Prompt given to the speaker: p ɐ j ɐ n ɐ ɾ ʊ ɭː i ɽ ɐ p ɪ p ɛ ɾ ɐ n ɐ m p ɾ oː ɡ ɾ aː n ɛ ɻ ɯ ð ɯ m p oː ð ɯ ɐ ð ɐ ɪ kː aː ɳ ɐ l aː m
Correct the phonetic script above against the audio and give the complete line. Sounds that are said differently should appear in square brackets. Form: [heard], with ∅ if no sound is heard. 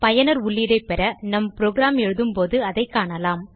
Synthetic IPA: p ɐ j ɐ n ɐ ɾ ʊ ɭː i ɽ ɐ [∅] ɪ p ɛ ɾ ɐ n ɐ m p ɾ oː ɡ ɾ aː [m] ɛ ɻ ɯ ð ɯ m p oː ð ɯ ɐ ð ɐ ɪ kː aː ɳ ɐ l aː m